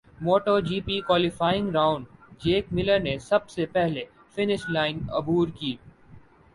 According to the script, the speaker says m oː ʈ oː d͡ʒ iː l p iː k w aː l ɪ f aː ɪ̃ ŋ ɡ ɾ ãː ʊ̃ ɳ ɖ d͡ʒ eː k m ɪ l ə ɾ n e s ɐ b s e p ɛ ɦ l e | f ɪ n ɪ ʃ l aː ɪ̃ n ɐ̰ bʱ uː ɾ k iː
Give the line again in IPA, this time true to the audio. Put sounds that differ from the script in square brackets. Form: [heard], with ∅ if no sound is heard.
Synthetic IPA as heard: m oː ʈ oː d͡ʒ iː [∅] p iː k w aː l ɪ f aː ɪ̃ ŋ ɡ ɾ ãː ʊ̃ ɳ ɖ d͡ʒ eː k m ɪ l ə ɾ n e s ɐ b s e p ɛ ɦ l e | f ɪ n ɪ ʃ l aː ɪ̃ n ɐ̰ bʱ uː ɾ k iː